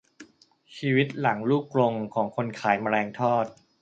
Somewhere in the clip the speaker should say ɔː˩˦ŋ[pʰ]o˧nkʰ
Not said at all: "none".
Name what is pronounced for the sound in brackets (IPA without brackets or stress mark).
kʰ